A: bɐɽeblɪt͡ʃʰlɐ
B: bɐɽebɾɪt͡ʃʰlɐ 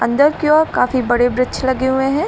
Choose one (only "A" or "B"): B